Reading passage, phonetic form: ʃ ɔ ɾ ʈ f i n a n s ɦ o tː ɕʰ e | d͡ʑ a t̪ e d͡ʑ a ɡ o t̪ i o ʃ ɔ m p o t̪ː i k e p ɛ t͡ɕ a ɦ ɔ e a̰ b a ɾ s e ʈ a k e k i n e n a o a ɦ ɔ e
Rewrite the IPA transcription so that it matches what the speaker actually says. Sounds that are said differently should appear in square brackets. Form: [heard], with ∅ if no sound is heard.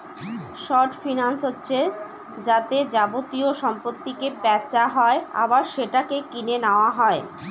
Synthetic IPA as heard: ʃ ɔ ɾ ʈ f i n a n s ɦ o tː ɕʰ e | d͡ʑ a t̪ e d͡ʑ a [b] o t̪ i o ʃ ɔ m p o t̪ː i k e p ɛ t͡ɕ a ɦ ɔ e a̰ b a ɾ [ʃ] e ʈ a k e k i n e n a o a ɦ ɔ e